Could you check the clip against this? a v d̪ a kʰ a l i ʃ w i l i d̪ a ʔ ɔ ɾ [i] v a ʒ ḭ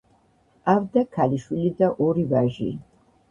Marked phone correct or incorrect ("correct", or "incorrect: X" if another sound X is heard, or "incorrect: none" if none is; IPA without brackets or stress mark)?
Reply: correct